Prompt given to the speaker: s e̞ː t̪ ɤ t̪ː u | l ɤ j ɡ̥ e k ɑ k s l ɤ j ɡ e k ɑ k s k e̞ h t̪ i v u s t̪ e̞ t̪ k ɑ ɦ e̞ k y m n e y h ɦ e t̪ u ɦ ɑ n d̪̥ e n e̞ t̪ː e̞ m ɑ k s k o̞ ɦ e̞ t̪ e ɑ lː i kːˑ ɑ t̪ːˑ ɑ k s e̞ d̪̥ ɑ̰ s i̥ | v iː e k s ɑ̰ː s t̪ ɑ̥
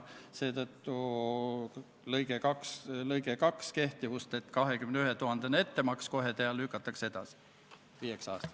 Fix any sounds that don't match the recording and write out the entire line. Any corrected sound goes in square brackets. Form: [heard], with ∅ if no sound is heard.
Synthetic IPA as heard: s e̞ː t̪ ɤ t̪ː u | l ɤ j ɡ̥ e k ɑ k s l ɤ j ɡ e k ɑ k s k e̞ h t̪ i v u s t̪ e̞ t̪ k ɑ ɦ e̞ k y m n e y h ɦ e t̪ u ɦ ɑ n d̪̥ e n e̞ t̪ː e̞ m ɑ k s k o̞ ɦ e̞ t̪ e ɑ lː [y] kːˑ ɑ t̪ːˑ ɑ k s e̞ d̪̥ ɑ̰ s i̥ | v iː e k s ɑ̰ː s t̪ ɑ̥